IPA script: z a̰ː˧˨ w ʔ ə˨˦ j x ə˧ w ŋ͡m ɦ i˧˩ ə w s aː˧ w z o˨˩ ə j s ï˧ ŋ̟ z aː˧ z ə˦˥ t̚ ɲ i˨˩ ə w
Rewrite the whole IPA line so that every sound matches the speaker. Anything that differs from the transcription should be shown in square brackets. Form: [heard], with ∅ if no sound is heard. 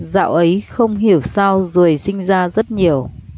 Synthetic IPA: z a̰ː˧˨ w ʔ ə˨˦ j x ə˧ w ŋ͡m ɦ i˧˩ ə w s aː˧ w z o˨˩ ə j s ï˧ ŋ̟ z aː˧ z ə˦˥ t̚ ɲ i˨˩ ə w